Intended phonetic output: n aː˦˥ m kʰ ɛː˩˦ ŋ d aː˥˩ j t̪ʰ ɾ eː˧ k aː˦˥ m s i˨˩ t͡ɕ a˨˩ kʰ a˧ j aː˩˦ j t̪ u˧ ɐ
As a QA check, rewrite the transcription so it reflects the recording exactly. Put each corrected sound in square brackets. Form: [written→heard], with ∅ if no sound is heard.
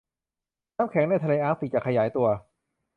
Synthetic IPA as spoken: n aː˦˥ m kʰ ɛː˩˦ ŋ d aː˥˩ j t̪ʰ [ɾ→l] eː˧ [k→ʔ] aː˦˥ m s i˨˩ t͡ɕ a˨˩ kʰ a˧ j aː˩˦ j t̪ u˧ ɐ